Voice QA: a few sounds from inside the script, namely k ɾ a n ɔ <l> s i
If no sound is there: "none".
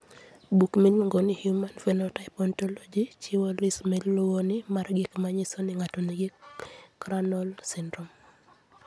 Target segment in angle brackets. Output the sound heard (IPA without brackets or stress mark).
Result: l